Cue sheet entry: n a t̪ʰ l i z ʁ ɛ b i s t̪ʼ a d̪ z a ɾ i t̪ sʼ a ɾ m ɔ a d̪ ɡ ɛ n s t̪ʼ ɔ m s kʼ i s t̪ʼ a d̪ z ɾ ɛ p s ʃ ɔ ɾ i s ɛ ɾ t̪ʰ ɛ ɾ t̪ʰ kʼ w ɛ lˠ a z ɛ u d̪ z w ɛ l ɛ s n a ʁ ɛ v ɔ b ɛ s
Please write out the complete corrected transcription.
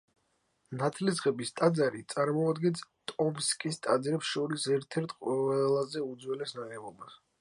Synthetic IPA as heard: n a t̪ʰ l i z ʁ ɛ b i s t̪ʼ a d̪ z a ɾ i t̪ sʼ a ɾ m ɔ a d̪ ɡ ɛ n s t̪ʼ ɔ m s kʼ i s t̪ʼ a d̪ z ɾ ɛ p s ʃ ɔ ɾ i s ɛ ɾ t̪ʰ ɛ ɾ t̪ʰ qʼ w ɛ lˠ a z ɛ u d̪ z w ɛ l ɛ s n a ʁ ɛ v ɔ b a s